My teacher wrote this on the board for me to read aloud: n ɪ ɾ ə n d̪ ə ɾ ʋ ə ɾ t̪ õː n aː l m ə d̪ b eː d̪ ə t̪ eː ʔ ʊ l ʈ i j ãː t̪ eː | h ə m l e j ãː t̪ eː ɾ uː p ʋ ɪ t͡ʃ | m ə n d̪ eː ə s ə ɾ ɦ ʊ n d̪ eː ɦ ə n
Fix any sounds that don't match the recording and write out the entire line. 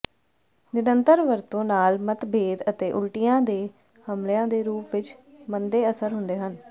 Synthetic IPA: n ɪ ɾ ə n t̪ ə ɾ ʋ ə ɾ t̪ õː n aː l m ə t̪ b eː d̪ ə t̪ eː ʔ ʊ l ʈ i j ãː d̪ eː | h ə m l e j ãː d̪ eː ɾ uː p ʋ ɪ t͡ʃ | m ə n d̪ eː ə s ə ɾ ɦ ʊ n d̪ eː ɦ ə n